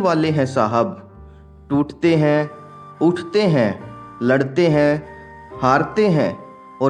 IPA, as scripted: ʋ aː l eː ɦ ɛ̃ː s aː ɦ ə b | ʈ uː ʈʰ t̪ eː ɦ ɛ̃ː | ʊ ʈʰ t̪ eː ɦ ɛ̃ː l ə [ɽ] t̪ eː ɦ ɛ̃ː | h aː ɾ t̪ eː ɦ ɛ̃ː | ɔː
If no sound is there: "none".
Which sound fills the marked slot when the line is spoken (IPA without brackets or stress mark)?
ɽ